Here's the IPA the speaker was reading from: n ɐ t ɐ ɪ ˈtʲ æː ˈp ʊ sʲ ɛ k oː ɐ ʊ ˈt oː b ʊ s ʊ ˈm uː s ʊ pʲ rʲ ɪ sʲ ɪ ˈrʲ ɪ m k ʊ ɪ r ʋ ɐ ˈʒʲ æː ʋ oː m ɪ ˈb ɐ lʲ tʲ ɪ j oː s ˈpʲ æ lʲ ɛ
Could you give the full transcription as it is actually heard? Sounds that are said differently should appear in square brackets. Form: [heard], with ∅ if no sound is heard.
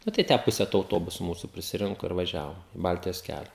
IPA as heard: n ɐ t ɐ ɪ ˈtʲ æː ˈp ʊ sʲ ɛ [t] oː ɐ ʊ ˈt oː b ʊ s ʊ ˈm uː s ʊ pʲ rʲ ɪ sʲ ɪ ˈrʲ ɪ [ŋ] k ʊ ɪ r ʋ ɐ ˈʒʲ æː ʋ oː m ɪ ˈb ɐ lʲ tʲ ɪ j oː s [ˈkʲ] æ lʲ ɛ